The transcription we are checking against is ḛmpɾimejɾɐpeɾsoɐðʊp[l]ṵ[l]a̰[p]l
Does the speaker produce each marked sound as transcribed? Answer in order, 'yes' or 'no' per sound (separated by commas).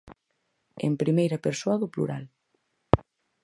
yes, no, no